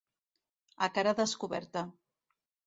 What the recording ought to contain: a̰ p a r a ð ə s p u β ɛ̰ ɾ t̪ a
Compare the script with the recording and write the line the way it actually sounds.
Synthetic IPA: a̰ k a ɾ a ð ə s k u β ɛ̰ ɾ t̪ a

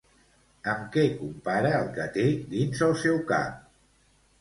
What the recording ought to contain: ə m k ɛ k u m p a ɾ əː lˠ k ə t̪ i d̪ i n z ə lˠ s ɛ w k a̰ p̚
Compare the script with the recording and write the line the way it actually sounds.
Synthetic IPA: ə m k ɛ k u m p a ɾ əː lˠ k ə t̪ e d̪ i n z ə lˠ s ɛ w k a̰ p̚

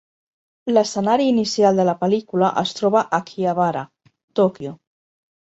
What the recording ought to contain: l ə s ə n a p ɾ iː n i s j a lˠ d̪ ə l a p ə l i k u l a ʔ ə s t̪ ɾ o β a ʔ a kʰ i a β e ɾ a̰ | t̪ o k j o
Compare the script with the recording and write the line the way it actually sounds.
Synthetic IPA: l ə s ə n a ɾ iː n i s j a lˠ d̪ ə l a p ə l i k u l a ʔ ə s t̪ ɾ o β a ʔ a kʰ i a β a ɾ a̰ | t̪ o k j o

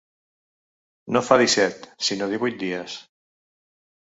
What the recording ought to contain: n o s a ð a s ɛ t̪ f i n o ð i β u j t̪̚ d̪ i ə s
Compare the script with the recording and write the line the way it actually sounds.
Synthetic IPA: n o f a ð i s ɛ t̪ s i n o ð i β u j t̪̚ d̪ i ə s

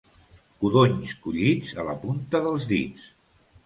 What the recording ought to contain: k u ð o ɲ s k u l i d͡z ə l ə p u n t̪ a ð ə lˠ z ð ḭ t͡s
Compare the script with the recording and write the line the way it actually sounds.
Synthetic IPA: k u ð o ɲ s k u ʎ i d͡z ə l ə p u n t̪ ə ð ə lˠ z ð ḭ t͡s

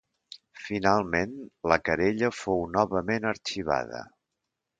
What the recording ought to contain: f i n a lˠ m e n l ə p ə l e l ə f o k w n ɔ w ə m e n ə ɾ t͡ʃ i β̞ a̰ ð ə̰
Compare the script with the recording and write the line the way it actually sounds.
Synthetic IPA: f i n a lˠ m e n l ə k ə ɾ e ʎ ə f o w n ɔ β ə m e n ə ɾ t͡ʃ i β̞ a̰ ð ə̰

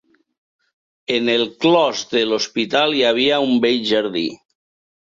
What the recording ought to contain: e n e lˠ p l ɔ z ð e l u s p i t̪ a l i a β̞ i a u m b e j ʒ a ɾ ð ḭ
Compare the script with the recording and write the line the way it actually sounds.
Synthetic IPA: e n e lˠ k l ɔ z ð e l o s p i t̪ a l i a β̞ i a u m b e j ʒ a ɾ ð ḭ

